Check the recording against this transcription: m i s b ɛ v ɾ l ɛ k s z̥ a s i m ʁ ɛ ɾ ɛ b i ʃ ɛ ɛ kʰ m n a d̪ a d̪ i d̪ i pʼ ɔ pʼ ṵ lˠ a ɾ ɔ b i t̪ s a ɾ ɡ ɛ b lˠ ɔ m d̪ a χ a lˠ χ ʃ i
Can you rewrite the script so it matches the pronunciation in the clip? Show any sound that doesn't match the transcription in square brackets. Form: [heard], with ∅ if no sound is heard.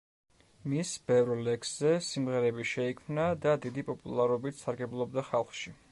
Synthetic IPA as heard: m i s b ɛ v ɾ l ɛ k s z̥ [ɛ] s i m ʁ ɛ ɾ ɛ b i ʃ ɛ [i] kʰ m n a d̪ a d̪ i d̪ i pʼ ɔ pʼ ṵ lˠ a ɾ ɔ b i t̪ s a ɾ ɡ ɛ b lˠ ɔ [b] d̪ a χ a lˠ χ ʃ i

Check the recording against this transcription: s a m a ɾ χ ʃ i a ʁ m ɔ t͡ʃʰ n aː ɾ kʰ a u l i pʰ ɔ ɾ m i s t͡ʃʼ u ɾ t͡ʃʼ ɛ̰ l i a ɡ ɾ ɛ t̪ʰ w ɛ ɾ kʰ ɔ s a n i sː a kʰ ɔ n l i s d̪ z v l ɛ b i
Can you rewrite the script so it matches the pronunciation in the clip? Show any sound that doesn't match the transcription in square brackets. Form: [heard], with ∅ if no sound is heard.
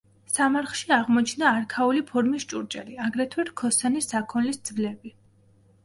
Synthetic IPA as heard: s a m a ɾ χ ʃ i a ʁ m ɔ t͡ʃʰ n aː ɾ kʰ a u l i pʰ ɔ ɾ m i s t͡ʃʼ u ɾ t͡ʃʼ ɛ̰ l i a ɡ ɾ ɛ t̪ʰ w ɛ ɾ kʰ ɔ s a n i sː a kʰ ɔ n l i s d̪ z v l ɛ b i

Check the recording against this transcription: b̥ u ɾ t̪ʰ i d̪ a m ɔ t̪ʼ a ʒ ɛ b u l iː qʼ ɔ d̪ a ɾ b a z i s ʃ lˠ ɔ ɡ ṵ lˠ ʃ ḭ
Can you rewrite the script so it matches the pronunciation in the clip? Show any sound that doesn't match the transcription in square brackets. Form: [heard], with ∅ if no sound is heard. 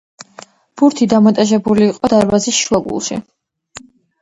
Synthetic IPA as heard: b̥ u ɾ t̪ʰ i d̪ a m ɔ t̪ʼ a ʒ ɛ b u l iː qʼ ɔ d̪ a ɾ b a z i s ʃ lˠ ɔ ɡ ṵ lˠ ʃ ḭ

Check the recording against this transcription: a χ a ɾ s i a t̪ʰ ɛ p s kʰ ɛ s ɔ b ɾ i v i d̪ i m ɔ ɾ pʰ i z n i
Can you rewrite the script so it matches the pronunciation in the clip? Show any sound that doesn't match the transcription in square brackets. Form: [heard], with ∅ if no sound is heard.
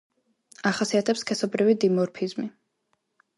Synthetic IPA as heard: a χ a [∅] s i a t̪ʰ ɛ p s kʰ ɛ s ɔ b ɾ i v i d̪ i m ɔ ɾ pʰ i z [m] i

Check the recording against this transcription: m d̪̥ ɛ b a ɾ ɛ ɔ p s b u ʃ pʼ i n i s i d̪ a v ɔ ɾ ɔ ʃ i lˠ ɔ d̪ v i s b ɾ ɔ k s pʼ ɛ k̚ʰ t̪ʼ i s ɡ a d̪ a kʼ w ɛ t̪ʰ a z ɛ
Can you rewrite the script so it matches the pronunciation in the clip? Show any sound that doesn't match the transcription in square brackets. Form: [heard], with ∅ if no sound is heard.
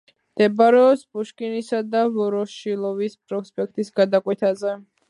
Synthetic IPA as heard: m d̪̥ ɛ b a ɾ ɛ ɔ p s b u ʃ [kʼ] i n i s [a] d̪ a v ɔ ɾ ɔ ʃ i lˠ ɔ [∅] v i s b ɾ ɔ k s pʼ ɛ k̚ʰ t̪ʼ i s ɡ a d̪ a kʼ w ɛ t̪ʰ a z ɛ

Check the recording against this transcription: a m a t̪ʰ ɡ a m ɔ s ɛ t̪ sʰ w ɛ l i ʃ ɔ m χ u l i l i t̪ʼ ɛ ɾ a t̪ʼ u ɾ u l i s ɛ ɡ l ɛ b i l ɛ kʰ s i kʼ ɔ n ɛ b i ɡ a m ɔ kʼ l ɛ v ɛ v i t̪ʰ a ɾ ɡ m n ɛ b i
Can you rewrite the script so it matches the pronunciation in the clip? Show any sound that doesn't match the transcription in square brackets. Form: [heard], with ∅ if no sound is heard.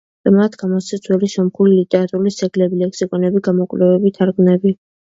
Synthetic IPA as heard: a m a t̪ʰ ɡ a m ɔ s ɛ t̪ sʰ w ɛ l i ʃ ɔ m χ u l i l i t̪ʼ ɛ ɾ a t̪ʼ u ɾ u l i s ɛ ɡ l ɛ b i l ɛ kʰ s i kʼ ɔ n ɛ b i ɡ a m ɔ kʼ l ɛ v ɛ [b] i t̪ʰ a ɾ ɡ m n ɛ b i

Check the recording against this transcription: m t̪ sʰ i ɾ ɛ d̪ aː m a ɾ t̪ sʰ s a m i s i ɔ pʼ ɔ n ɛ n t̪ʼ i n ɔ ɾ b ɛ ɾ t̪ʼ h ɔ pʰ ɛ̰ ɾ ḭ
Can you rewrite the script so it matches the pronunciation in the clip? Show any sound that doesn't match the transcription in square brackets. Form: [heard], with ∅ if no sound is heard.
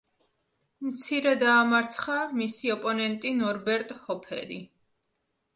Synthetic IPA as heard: m t̪ sʰ i ɾ ɛ d̪ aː m a ɾ t̪ sʰ [χ] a m i s i ɔ pʼ ɔ n ɛ n t̪ʼ i n ɔ ɾ b ɛ ɾ t̪ʼ h ɔ pʰ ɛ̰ ɾ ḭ

